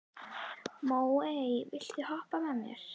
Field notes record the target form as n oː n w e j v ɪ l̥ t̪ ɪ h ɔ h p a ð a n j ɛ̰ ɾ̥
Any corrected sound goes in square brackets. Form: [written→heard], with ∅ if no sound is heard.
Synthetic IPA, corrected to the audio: [n→m] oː [n→∅] w e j v ɪ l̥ t̪ ɪ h ɔ h p a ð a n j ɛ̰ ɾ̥